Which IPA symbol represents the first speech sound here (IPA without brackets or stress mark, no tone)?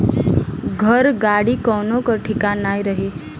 ɡʱ